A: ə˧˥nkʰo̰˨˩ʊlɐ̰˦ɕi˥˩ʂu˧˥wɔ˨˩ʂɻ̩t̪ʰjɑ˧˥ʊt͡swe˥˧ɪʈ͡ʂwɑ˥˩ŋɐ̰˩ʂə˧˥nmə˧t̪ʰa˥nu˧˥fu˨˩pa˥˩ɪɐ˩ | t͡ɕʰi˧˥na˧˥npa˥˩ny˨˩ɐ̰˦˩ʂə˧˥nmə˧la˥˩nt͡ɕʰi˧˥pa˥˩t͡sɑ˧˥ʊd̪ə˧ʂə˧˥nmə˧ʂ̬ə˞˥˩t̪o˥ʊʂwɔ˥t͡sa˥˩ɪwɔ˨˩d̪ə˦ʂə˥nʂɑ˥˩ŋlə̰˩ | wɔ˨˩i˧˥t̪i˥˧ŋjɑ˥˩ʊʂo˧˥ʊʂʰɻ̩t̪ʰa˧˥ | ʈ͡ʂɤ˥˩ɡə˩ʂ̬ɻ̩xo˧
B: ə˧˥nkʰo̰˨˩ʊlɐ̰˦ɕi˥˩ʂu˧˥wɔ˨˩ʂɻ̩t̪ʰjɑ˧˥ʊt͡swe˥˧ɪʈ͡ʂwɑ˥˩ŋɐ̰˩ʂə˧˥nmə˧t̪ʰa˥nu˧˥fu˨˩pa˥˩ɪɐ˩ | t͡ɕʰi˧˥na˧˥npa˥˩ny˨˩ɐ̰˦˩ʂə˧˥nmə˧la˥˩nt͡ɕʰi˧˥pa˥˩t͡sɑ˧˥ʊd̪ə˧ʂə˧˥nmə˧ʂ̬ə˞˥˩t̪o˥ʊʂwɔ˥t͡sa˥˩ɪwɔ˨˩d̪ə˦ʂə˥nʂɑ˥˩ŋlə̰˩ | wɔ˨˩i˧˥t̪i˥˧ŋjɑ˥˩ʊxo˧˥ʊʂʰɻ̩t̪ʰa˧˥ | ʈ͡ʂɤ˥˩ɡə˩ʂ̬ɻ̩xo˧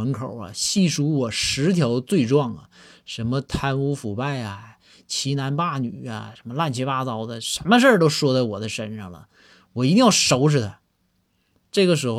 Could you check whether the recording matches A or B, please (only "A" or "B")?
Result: A